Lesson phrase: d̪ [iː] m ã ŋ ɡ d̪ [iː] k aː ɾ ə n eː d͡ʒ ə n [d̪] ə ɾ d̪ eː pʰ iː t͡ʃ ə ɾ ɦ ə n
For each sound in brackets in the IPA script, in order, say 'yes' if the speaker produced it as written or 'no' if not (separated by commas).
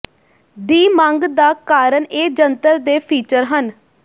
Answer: yes, no, no